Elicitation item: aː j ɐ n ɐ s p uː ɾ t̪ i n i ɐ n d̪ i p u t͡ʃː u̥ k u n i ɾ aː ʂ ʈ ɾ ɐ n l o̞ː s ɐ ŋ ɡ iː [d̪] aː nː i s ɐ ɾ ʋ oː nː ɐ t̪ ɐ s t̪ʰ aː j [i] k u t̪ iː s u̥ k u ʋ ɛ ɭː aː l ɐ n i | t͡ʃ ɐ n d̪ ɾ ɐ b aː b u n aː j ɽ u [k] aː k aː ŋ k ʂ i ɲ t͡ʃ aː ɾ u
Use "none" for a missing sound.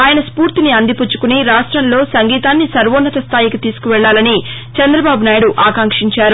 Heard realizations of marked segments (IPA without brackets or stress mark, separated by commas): t̪, i, ʔ